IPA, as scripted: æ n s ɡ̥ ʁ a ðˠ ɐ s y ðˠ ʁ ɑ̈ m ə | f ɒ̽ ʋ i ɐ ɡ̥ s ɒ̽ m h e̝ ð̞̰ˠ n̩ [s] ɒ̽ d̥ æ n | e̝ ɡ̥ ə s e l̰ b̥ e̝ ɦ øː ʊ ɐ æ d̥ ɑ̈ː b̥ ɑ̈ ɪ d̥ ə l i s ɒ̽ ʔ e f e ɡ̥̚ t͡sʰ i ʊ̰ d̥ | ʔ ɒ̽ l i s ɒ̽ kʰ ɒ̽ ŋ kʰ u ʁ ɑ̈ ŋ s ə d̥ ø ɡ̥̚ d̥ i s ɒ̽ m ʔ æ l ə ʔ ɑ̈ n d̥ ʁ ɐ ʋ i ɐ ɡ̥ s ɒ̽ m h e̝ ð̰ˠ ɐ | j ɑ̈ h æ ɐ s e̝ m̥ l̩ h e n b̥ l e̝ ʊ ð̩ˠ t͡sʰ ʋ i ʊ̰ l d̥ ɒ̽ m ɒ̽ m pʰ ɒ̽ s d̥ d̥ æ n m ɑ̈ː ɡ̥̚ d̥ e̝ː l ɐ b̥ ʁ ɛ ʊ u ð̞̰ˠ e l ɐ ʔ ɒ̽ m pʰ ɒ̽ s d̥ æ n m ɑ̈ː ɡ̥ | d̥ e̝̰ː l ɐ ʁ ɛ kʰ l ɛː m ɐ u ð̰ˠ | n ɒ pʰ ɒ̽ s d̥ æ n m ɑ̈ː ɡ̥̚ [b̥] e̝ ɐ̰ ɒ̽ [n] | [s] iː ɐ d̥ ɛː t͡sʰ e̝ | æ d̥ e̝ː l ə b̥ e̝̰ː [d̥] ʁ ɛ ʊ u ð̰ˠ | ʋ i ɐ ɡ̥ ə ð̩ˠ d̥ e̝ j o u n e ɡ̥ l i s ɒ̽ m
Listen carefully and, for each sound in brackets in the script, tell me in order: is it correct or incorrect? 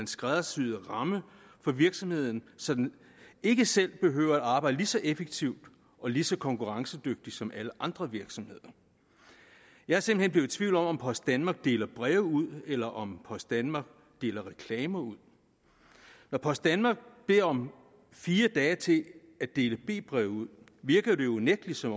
correct, correct, incorrect: m, incorrect: f, incorrect: b̥

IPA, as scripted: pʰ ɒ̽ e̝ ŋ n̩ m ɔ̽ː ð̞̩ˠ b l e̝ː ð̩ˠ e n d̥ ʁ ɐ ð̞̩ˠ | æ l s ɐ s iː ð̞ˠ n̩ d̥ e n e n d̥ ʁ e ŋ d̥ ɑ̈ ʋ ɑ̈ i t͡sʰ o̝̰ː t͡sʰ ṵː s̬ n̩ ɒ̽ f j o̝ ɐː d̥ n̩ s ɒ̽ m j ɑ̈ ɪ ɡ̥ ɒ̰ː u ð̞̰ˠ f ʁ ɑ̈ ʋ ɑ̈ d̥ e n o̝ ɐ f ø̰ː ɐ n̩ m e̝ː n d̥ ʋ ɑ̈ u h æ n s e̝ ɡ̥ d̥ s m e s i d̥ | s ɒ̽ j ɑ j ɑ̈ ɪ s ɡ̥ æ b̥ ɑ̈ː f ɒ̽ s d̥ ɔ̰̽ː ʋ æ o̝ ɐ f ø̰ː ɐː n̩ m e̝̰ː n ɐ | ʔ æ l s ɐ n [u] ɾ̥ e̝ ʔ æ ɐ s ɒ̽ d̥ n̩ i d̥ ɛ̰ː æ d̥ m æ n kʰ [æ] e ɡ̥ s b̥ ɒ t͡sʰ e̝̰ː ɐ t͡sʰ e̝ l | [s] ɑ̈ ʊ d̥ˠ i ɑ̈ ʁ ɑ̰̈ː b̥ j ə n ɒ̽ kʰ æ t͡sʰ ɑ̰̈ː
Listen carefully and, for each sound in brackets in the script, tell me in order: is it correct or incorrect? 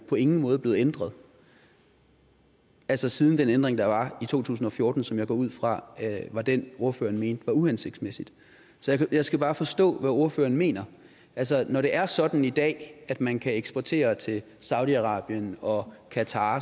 incorrect: ɒ, correct, correct

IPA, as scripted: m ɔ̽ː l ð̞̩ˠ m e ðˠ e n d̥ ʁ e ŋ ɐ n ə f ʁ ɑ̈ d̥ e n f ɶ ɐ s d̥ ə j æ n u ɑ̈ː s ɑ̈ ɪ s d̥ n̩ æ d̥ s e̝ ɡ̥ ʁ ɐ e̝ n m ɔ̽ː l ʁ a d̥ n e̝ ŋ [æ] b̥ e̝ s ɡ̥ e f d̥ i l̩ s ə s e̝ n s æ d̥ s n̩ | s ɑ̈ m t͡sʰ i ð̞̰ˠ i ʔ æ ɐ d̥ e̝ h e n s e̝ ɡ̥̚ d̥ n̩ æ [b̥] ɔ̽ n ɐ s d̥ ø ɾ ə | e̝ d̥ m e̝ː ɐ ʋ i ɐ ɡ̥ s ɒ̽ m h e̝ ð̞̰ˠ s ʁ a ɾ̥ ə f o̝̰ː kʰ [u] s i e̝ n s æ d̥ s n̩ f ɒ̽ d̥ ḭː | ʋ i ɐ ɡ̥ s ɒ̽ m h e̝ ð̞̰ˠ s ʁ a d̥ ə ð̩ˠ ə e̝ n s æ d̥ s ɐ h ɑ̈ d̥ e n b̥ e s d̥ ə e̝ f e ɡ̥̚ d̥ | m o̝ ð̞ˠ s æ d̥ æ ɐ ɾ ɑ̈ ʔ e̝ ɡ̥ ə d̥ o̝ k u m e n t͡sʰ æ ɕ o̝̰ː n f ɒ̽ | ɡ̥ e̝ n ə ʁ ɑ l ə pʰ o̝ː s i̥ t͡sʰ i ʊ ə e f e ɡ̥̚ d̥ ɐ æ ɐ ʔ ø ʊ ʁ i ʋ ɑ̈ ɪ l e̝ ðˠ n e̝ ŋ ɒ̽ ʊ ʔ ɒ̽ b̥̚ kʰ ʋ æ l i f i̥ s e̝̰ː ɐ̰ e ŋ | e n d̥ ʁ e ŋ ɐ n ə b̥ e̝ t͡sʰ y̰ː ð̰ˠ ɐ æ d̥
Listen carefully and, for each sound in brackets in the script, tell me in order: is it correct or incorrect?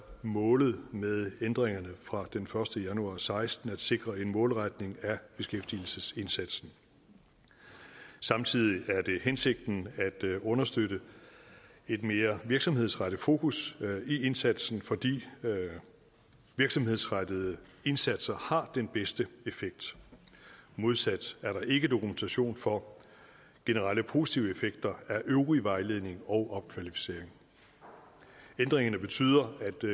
correct, incorrect: d̥, correct

